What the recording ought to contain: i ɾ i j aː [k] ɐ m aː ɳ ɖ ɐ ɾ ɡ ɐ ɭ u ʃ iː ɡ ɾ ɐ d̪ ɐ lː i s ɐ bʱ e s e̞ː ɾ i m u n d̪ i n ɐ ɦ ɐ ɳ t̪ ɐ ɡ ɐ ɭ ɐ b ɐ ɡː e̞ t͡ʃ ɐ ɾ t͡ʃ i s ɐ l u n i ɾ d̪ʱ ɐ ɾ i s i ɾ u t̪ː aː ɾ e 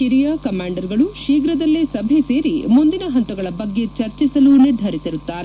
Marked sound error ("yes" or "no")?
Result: no